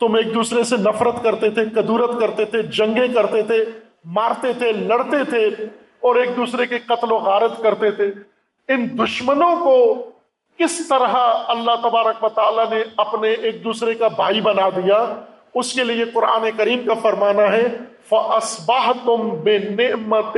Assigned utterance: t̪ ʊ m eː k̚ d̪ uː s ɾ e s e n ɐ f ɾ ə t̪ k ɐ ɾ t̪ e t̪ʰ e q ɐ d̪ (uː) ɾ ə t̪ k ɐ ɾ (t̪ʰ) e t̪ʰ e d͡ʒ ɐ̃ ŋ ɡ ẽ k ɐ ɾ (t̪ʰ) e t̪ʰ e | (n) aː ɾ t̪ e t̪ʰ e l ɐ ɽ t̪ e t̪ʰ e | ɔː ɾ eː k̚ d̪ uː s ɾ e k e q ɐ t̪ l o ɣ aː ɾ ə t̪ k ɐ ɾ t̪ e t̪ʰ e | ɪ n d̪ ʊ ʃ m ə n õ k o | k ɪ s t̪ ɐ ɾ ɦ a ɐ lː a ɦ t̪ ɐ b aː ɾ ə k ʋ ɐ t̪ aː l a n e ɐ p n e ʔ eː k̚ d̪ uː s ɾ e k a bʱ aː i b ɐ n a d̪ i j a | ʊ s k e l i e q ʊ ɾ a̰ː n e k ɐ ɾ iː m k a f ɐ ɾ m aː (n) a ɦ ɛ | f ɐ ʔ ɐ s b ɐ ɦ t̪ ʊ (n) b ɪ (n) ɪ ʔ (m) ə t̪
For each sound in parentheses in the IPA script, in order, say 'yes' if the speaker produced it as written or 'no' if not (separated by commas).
yes, no, no, no, yes, no, yes, yes